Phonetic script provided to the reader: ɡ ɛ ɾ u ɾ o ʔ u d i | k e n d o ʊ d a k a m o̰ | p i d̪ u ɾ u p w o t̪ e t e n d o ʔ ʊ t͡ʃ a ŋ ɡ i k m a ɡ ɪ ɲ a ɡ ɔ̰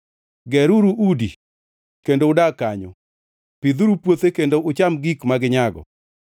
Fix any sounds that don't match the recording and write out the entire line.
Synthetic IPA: ɡ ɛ ɾ u ɾ u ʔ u d i | k e n d o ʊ d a k a ɲ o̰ | p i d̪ u ɾ u p w o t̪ e k e n d o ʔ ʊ t͡ʃ a m ɡ i k m a ɡ ɪ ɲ a ɡ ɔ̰